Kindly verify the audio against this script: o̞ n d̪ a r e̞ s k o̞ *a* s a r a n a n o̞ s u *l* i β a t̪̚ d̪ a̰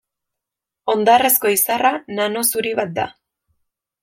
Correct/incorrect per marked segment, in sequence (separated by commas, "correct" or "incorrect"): incorrect, incorrect